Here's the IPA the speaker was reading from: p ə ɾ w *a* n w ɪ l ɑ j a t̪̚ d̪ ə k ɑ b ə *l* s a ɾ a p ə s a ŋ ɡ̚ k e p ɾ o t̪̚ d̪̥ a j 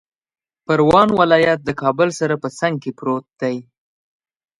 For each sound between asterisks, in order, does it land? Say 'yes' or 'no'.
no, yes

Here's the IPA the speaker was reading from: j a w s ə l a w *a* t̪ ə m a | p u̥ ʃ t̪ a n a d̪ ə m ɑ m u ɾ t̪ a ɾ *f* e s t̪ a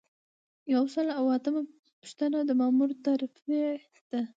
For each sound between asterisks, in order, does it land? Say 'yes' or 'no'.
yes, yes

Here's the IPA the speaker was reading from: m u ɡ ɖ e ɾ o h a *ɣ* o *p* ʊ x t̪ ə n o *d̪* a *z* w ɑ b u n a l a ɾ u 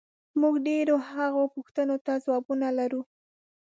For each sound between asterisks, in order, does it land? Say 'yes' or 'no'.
yes, yes, no, yes

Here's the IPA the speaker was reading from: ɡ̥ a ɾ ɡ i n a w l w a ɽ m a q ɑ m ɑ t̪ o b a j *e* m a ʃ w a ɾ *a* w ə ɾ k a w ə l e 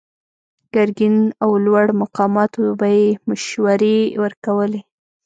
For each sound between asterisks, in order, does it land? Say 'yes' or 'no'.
yes, no

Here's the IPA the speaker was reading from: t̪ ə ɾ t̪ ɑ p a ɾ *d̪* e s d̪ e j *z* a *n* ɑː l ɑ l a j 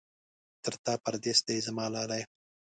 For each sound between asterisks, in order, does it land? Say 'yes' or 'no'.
yes, yes, no

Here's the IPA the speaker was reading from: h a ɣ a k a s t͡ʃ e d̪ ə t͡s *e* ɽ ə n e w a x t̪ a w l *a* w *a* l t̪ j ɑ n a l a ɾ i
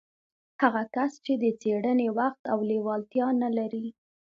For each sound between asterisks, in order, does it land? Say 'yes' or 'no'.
yes, no, no

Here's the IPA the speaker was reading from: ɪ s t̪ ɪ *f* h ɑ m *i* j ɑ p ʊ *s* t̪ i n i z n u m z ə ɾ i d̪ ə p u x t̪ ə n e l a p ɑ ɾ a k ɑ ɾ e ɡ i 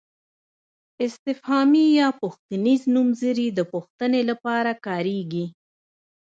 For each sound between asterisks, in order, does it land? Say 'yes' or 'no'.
yes, yes, no

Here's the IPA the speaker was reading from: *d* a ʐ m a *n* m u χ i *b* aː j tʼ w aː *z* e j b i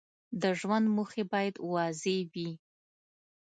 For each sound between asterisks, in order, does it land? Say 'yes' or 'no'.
yes, yes, yes, yes

